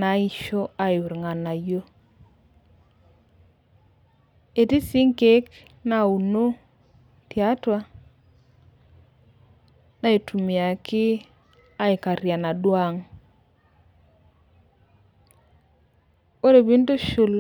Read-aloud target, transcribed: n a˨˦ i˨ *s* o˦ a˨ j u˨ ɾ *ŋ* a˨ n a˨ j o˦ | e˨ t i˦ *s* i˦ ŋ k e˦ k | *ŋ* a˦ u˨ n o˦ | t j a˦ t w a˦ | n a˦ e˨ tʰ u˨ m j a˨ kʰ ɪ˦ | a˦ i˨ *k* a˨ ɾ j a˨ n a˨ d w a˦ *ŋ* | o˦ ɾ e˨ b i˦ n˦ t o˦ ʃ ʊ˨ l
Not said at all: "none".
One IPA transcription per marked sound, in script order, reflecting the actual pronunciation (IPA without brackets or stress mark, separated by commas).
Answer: ʃ, ŋ, s, n, k, ŋ